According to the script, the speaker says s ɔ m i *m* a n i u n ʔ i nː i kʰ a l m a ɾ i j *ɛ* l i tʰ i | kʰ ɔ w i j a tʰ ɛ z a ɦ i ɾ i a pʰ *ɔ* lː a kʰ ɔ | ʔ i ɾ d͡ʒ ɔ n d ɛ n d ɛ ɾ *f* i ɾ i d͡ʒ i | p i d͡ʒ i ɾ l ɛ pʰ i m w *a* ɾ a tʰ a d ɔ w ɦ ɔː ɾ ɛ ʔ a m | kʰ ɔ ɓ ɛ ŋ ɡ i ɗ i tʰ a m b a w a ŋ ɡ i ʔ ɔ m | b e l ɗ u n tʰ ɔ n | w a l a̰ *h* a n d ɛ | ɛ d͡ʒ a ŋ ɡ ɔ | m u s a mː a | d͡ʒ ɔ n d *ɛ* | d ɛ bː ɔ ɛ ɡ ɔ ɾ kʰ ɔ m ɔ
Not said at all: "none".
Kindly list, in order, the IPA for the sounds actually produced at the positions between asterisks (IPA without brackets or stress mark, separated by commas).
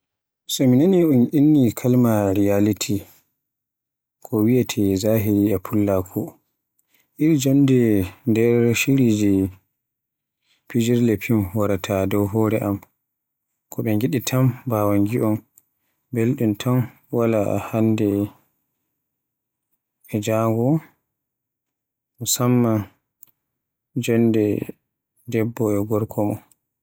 n, a, u, ʃ, a, h, ɛ